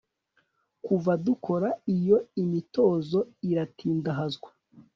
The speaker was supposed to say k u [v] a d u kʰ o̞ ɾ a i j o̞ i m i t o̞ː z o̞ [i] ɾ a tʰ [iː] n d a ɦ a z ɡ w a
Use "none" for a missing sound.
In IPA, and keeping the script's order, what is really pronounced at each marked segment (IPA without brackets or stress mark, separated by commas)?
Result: v, i, iː